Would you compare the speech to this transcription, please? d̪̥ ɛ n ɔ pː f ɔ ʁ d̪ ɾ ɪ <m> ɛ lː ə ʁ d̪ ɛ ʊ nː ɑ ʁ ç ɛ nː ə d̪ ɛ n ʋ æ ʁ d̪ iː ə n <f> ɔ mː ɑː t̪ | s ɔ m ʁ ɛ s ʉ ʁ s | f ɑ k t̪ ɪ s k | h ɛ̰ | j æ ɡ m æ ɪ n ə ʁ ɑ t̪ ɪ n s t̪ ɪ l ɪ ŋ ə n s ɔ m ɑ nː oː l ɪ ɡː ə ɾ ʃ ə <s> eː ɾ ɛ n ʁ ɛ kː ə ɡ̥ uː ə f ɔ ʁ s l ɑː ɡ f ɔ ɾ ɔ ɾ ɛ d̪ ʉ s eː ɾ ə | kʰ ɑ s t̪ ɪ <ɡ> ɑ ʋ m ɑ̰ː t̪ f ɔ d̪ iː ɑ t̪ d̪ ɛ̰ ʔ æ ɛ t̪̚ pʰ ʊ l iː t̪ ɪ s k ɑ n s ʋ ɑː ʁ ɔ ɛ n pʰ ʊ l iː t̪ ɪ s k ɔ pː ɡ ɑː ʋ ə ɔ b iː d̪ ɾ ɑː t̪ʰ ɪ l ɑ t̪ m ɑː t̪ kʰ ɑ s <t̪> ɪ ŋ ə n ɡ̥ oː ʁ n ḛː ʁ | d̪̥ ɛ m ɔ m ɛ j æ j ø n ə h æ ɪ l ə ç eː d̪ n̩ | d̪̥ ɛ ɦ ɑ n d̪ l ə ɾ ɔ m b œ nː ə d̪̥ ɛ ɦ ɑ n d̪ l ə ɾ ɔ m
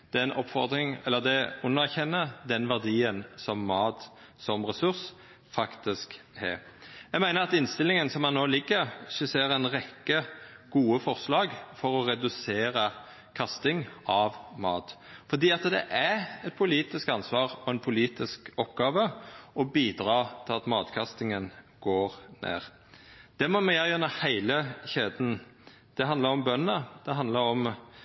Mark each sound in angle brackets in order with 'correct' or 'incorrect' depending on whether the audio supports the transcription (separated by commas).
incorrect, incorrect, correct, incorrect, correct